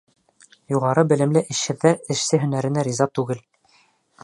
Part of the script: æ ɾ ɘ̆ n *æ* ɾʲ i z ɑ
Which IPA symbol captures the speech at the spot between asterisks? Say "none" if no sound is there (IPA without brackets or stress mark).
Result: æ